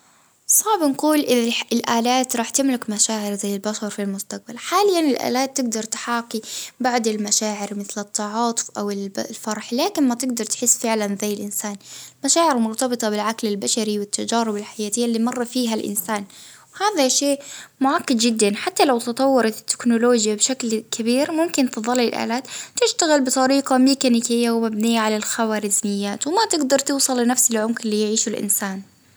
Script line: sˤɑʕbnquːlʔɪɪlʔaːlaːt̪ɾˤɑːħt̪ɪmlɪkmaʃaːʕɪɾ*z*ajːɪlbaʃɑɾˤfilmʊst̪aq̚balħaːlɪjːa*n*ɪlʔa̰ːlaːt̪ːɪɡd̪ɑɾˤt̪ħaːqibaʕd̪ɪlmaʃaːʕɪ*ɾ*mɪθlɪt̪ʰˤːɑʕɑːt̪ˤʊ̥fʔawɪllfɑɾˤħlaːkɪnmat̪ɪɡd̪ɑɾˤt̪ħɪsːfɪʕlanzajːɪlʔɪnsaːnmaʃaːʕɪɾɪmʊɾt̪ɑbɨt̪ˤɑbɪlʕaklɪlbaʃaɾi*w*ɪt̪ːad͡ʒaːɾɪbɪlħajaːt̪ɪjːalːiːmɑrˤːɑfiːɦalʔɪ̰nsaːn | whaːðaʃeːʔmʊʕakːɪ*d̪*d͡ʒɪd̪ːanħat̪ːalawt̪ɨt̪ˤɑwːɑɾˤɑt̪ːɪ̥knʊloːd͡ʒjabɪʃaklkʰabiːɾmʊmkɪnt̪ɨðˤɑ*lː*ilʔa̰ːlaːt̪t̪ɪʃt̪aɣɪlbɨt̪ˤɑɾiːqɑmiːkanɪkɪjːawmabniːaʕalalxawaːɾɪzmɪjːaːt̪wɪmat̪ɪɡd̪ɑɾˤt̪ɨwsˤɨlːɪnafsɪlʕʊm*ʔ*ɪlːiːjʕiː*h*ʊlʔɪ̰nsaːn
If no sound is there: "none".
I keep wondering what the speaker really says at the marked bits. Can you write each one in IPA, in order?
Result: z, n, ɾ, w, d̪, lː, k, ʃ

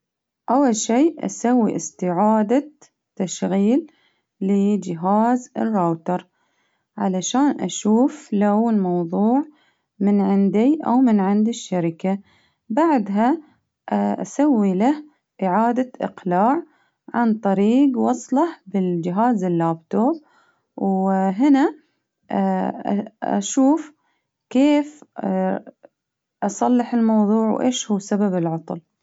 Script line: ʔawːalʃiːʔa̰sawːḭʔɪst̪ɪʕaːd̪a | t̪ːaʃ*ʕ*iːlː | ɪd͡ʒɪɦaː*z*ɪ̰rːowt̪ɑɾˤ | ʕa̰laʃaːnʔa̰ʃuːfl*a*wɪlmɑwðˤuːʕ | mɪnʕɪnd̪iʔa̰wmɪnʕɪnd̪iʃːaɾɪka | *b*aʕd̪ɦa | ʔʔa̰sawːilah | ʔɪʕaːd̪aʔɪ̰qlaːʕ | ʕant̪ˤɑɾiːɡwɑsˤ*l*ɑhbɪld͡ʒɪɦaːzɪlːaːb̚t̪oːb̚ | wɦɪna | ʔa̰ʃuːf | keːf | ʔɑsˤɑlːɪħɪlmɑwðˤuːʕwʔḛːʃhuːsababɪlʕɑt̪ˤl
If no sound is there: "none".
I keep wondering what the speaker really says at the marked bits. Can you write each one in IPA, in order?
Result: ɣ, z, a, b, l

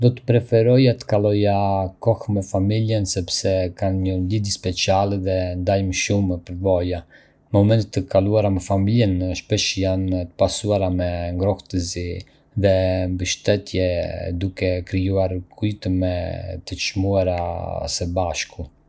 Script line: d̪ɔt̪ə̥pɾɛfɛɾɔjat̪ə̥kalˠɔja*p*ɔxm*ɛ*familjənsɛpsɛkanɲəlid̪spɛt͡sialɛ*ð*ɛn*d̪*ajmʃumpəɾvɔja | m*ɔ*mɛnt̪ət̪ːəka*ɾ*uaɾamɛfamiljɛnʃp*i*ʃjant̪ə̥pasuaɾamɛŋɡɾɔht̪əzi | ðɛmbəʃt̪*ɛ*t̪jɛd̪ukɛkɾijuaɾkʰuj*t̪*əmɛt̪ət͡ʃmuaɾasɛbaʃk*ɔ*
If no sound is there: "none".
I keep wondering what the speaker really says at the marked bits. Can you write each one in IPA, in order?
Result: k, ɛ, ð, d̪, ɔ, l, ɛ, ɛ, t̪, u

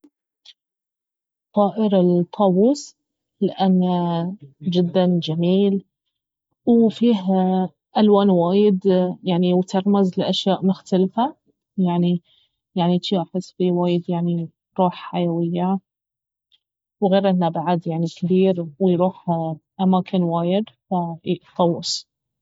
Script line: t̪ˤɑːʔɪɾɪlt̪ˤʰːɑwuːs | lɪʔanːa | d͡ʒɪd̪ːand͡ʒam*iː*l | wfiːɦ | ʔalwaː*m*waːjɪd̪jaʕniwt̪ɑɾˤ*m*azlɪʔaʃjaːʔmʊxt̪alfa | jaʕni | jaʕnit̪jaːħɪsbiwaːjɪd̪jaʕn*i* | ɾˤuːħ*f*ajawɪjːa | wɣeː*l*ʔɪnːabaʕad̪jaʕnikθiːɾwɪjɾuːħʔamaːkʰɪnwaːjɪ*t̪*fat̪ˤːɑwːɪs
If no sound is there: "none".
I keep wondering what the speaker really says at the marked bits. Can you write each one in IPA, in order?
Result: iː, n, m, i, ħ, ɾ, d̪

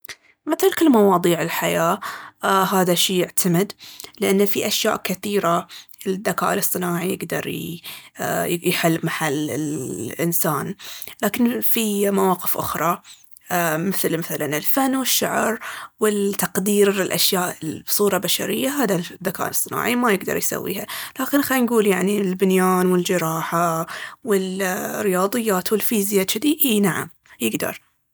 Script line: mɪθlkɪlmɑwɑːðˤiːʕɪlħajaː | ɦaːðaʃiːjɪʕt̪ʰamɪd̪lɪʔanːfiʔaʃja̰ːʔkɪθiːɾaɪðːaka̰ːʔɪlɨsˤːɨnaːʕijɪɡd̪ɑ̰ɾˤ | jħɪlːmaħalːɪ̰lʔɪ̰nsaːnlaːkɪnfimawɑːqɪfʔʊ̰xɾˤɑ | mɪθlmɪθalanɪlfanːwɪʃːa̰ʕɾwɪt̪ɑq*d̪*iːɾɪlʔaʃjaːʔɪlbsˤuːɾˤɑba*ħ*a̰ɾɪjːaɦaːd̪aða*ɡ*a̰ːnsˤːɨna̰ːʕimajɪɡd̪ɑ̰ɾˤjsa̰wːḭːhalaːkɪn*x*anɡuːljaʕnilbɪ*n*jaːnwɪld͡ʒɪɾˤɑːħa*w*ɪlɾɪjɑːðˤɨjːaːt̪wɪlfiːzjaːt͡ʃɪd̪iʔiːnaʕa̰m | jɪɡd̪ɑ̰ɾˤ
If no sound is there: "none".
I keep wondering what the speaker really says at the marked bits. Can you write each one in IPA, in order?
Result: d̪, ʃ, k, x, n, w

